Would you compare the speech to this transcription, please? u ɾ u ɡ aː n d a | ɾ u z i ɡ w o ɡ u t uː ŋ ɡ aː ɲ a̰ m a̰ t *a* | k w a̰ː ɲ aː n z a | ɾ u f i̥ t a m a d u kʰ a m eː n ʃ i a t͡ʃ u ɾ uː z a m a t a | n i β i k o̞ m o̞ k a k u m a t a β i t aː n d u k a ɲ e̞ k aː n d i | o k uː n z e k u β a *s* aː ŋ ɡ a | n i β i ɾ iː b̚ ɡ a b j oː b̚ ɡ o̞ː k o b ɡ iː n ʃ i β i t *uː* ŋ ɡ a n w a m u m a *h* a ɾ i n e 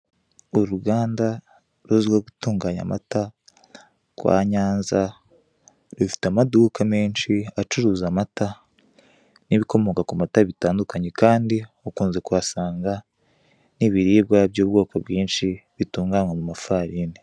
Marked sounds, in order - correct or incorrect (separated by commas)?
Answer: correct, correct, correct, incorrect